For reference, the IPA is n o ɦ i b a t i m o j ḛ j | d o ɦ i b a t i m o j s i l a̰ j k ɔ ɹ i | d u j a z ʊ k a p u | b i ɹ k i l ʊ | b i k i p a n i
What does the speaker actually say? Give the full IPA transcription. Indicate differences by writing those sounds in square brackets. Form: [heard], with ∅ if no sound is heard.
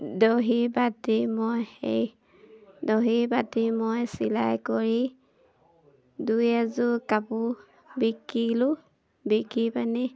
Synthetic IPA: [d] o ɦ i b a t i m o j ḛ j | d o ɦ i b a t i m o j s i l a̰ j k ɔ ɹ i | d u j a z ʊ k a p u | b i [∅] k i l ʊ | b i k i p a n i

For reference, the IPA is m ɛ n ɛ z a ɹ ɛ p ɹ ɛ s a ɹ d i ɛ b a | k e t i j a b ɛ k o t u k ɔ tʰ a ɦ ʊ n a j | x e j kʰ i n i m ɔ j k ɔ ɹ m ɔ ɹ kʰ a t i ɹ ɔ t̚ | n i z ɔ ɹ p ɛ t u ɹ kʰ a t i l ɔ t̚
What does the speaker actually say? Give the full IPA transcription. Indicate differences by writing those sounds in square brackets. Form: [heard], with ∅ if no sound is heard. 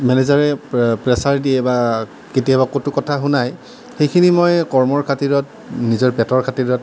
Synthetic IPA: m ɛ n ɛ z a ɹ ɛ p ɹ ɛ s a ɹ d i ɛ b a | k e t i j a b [a] k o t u k ɔ tʰ a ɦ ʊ n a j | x e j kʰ i n i m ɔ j k ɔ ɹ m ɔ ɹ kʰ a t i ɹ ɔ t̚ | n i z ɔ ɹ p ɛ t [ɔ] ɹ kʰ a t i [ɹ] ɔ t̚

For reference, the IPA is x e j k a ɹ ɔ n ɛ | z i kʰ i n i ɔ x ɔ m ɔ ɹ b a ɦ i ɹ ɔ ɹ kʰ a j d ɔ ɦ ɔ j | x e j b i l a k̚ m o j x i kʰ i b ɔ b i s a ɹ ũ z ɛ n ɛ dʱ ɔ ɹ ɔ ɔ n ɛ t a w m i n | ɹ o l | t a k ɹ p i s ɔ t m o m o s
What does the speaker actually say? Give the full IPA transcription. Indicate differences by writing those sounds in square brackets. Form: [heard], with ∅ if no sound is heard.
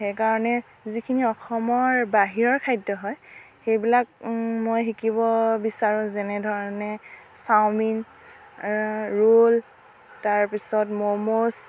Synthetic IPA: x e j k a ɹ ɔ n ɛ | z i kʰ i n i ɔ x ɔ m ɔ ɹ b a ɦ i ɹ ɔ ɹ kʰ a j d ɔ ɦ ɔ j | x e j b i l a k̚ m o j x i [k] i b ɔ b i s a ɹ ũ z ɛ n ɛ dʱ ɔ ɹ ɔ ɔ n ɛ [s] a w m i n | ɹ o l | t a [∅] ɹ p i s ɔ t m o m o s

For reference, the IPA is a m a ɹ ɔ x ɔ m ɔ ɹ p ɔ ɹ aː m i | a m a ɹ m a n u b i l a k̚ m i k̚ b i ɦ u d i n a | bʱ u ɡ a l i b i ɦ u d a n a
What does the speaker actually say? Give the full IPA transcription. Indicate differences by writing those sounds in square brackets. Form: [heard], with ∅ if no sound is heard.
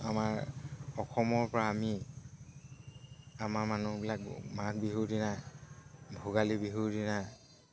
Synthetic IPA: a m a ɹ ɔ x ɔ m ɔ ɹ p ɔ ɹ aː m i | a m a ɹ m a n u b i l a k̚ m [a] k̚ b i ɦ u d i n a | bʱ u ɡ a l i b i ɦ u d [i] n a

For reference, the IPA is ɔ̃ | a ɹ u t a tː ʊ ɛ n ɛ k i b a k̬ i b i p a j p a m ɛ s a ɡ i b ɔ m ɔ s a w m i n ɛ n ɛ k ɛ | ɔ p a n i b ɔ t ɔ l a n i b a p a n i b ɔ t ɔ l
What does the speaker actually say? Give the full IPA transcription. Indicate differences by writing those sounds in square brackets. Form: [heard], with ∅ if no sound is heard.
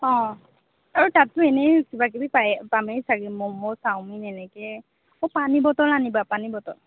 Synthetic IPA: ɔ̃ | a ɹ u t a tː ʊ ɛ n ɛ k i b a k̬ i b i p a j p a m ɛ s a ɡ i [m] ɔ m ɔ s a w m i n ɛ n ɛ k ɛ | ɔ p a n i b ɔ t ɔ l a n i b a p a n i b ɔ t ɔ l

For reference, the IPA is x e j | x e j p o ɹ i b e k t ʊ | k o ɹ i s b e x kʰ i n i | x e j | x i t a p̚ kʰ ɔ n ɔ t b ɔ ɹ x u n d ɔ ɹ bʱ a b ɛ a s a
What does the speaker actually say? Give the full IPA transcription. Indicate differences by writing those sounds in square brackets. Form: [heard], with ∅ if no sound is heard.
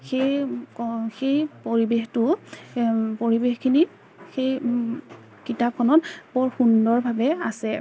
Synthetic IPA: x e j | x e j p o ɹ i b e [x] t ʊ | [p] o ɹ i [∅] b e x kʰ i n i | x e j | [k] i t a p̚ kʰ ɔ n ɔ t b ɔ ɹ x u n d ɔ ɹ bʱ a b ɛ a s [ɛ]

